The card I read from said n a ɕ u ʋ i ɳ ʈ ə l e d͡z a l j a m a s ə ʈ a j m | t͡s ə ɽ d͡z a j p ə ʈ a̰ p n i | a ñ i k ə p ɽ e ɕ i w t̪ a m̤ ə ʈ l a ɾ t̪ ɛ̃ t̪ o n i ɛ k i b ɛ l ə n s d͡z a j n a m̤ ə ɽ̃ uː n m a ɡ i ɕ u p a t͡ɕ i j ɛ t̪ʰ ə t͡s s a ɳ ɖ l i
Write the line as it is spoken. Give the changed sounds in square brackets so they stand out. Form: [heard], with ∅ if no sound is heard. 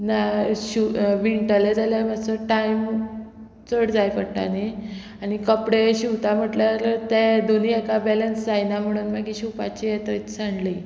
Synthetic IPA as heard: n a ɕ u ʋ i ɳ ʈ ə l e d͡z a l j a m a s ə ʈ a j m | t͡s ə ɽ d͡z a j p ə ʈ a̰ [∅] n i | a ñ i k ə p ɽ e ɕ i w t̪ a m̤ ə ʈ l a ɾ t̪ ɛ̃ [d̪] o n i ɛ k [a] b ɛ l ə n s d͡z a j n a m̤ ə ɽ̃ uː n m a ɡ i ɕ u p a t͡ɕ i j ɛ [t̪] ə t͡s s a ɳ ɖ l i